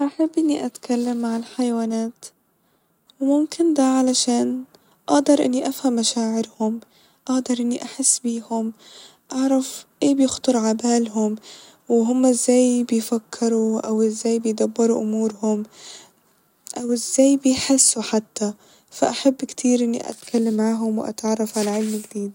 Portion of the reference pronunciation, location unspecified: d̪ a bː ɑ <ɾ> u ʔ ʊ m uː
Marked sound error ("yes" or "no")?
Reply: no